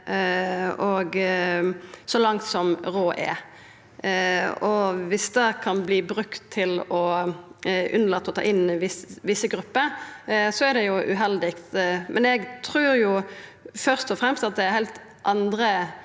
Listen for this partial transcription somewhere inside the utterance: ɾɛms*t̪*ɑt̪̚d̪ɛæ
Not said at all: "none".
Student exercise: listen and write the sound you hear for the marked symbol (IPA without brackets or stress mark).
t̪